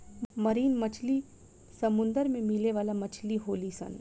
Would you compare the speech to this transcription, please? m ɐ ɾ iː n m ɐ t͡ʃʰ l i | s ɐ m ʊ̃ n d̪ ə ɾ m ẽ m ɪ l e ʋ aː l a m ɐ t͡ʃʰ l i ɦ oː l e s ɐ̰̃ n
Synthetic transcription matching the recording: m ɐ ɾ iː n m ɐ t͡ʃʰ l i | s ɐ m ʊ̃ n d̪ ə ɾ m ẽ m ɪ l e ʋ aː l a m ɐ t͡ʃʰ l i ɦ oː l i s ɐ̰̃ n

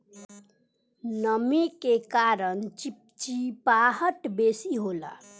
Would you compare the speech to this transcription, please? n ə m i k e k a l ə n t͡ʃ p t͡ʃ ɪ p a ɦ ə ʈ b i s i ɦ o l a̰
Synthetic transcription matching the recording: n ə m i k e k a ɾ ə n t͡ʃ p t͡ʃ i p a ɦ ə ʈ b e s i ɦ o l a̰

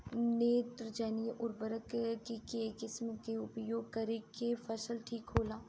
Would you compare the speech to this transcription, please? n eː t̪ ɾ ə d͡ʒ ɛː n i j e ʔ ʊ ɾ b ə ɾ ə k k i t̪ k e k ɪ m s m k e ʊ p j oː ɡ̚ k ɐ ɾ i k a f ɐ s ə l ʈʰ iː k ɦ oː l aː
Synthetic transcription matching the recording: n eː t̪ ɾ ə d͡ʒ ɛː n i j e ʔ ʊ ɾ b ə ɾ ə k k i k e k ɪ s m k e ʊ p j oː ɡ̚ k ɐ ɾ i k e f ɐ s ə l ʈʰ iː k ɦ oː l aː

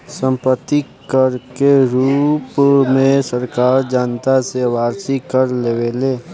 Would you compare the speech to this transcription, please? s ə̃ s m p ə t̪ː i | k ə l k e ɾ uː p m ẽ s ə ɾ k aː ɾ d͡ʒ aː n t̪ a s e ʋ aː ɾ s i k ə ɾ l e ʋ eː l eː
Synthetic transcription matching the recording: s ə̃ m p ə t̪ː i | k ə ɾ k e ɾ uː p m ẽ s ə ɾ k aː ɾ d͡ʒ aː n t̪ a s e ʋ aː ɾ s i k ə ɾ l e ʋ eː l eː

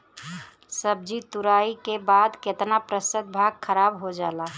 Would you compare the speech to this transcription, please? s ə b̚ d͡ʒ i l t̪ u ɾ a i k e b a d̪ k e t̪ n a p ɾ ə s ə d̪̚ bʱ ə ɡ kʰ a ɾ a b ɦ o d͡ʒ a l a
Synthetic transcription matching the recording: s ə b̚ d͡ʒ i t̪ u ɾ a i k e b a d̪ k e t̪ n a p ɾ ə s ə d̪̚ bʱ a ɡ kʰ ə ɾ a b ɦ o d͡ʒ a l a

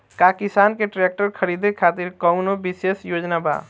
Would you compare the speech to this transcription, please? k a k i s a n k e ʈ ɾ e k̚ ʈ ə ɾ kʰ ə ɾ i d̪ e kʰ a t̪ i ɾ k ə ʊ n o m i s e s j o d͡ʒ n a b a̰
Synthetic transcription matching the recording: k a k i s a n k e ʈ ɾ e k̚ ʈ ə ɾ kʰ ə ɾ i d̪ e kʰ a t̪ i ɾ k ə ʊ n o b i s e s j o d͡ʒ n a b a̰

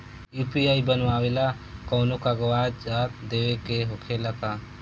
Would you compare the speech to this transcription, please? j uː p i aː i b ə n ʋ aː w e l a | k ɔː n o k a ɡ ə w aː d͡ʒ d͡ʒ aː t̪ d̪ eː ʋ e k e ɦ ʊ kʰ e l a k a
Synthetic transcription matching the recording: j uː p i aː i b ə n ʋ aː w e l a | k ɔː n o k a ɡ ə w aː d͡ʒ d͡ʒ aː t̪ d̪ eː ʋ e k e ɦ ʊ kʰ e l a k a

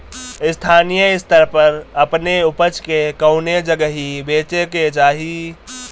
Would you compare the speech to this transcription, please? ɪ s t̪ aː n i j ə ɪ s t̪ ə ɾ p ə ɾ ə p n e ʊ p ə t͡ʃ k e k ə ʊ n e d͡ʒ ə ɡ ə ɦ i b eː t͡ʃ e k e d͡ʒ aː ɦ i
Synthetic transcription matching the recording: ɪ s t̪ʰ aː n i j ə ɪ s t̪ ə ɾ p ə ɾ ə p n e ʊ p ə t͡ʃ k e k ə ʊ n e d͡ʒ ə ɡ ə ɦ i b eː t͡ʃ e k e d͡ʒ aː ɦ i

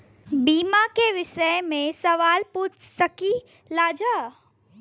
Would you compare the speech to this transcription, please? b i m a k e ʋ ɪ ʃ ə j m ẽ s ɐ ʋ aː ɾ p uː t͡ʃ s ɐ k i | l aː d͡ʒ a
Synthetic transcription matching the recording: b iː m a k e ʋ ɪ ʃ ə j m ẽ s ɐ ʋ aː l p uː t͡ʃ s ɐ k i | l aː d͡ʒ a

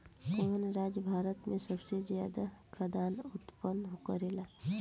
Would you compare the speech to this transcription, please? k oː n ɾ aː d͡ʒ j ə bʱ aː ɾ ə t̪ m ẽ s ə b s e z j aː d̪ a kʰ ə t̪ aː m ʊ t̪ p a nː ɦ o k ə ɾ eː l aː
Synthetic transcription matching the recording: k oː n ɾ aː d͡ʒ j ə bʱ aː ɾ ə t̪ m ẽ s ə b s e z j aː d̪ a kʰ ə d̪ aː n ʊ t̪ p ə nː ɦ o k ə ɾ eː l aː

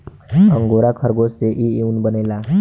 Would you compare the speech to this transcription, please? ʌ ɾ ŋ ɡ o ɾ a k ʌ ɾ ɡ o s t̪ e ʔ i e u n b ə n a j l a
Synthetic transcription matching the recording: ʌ ŋ ɡ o ɾ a kʰ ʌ ɾ ɡ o s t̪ e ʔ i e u n b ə n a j l a

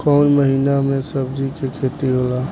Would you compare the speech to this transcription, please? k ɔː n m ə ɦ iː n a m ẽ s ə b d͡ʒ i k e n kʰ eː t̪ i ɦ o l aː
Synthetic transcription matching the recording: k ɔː n m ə ɦ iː n a m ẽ s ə b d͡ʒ i k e kʰ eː t̪ i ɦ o l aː

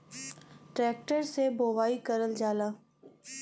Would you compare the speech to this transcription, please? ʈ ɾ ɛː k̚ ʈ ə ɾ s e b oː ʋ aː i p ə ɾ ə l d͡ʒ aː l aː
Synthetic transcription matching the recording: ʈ ɾ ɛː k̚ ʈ ə ɾ s e b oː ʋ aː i k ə ɾ ə l d͡ʒ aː l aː

